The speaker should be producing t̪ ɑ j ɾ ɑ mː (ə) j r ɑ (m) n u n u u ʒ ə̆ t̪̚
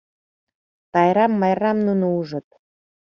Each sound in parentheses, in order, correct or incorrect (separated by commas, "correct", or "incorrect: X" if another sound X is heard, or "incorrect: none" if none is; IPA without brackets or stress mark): incorrect: ɑ, correct